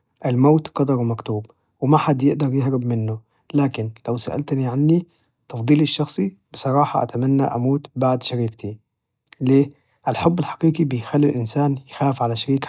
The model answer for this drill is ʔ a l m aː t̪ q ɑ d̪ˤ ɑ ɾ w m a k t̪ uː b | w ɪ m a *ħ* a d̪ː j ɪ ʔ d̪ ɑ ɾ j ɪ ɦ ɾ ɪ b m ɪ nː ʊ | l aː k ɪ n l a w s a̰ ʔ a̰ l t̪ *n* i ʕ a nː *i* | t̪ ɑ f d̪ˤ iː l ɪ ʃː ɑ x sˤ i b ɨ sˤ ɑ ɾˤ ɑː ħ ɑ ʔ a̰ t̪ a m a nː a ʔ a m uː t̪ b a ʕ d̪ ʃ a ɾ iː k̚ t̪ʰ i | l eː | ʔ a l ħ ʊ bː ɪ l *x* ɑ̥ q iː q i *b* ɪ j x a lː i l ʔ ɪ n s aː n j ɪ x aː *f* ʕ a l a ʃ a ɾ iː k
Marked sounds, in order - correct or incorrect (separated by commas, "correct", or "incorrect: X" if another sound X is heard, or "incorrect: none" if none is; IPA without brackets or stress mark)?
correct, correct, correct, incorrect: ħ, correct, correct